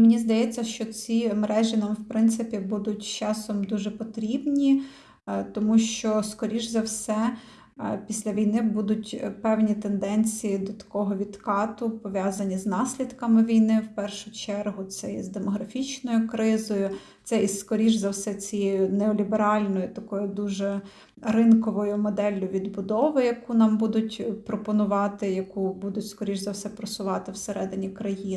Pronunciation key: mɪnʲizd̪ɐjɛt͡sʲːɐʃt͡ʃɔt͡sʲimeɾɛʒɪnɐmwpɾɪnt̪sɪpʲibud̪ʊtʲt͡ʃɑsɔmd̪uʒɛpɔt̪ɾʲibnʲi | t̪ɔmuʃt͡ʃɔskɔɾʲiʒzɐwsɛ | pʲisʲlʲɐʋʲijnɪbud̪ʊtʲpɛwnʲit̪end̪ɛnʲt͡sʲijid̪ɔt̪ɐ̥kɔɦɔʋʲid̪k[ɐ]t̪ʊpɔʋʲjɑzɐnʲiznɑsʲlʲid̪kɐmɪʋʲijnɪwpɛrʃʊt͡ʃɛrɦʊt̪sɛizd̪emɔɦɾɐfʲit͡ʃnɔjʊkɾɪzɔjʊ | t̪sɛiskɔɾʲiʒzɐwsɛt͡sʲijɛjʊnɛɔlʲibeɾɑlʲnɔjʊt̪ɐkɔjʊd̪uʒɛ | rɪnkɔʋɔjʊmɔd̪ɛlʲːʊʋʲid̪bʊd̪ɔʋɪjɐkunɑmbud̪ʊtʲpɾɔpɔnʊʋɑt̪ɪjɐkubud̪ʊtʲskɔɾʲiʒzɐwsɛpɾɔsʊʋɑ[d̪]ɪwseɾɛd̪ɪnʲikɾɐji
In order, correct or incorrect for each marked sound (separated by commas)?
incorrect, incorrect